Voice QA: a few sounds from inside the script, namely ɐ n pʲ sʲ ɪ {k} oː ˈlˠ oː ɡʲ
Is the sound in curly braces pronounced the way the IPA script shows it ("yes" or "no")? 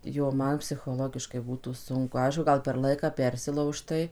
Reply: no